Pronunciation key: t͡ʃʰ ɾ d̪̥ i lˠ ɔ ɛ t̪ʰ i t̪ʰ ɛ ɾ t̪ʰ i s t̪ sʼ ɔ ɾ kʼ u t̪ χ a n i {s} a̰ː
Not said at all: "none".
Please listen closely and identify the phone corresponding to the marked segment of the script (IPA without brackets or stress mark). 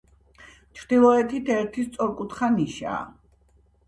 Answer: ʃ